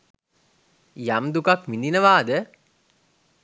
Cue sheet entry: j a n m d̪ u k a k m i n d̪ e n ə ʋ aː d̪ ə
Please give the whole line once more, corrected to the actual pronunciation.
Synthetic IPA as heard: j a m d̪ u k a k m i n d̪ i n ə ʋ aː d̪ ə